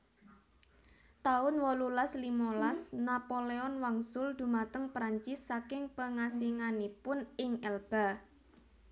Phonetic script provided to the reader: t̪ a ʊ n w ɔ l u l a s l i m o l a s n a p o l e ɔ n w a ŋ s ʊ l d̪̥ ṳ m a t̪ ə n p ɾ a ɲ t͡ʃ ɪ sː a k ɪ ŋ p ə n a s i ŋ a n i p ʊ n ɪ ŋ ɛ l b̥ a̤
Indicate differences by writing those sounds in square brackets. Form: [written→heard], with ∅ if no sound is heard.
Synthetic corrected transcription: t̪ a ʊ n w ɔ l u l a s l i m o l a s n a p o l e ɔ n w a ŋ s ʊ l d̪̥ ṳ m a t̪ ə [n→ŋ] p ɾ a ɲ t͡ʃ ɪ sː a k ɪ ŋ p ə [n→ŋ] a s i ŋ a n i p ʊ n ɪ ŋ ɛ l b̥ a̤